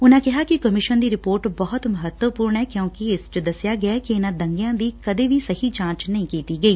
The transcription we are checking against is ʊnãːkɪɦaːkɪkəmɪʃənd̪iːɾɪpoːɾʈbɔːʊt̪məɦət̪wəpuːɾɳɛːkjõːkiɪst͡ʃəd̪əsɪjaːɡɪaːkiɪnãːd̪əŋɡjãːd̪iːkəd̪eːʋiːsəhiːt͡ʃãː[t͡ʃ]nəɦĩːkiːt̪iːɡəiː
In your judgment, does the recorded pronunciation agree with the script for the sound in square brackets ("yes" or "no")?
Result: yes